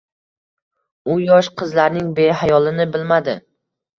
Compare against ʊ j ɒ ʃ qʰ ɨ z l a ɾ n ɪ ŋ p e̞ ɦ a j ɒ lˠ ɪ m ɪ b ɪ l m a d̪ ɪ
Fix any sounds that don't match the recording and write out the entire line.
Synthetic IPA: ʊ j ɒ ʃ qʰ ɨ z l a ɾ n ɪ ŋ b e̞ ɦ a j ɒ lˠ ɪ n ɪ b ɪ l m a d̪ ɪ